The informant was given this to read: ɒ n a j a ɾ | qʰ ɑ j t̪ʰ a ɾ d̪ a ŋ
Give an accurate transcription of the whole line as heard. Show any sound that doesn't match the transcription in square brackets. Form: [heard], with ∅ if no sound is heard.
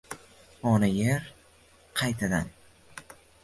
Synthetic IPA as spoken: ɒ n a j [e] ɾ | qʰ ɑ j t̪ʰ a [∅] d̪ a [n]